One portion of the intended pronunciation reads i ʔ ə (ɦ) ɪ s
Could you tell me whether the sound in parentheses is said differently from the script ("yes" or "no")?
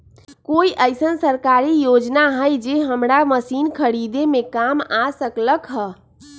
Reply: yes